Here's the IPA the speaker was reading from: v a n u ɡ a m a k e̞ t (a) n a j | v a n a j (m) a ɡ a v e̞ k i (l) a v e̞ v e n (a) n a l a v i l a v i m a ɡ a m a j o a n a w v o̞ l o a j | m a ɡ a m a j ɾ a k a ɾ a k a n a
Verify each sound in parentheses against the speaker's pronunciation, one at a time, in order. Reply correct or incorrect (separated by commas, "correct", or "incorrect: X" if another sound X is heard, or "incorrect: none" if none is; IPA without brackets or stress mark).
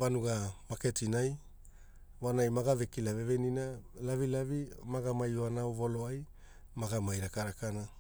incorrect: i, correct, correct, incorrect: i